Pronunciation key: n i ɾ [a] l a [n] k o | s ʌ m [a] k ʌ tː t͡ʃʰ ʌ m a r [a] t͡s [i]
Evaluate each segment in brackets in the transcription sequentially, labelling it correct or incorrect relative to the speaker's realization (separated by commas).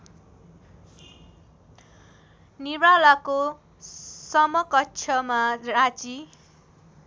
correct, incorrect, incorrect, correct, correct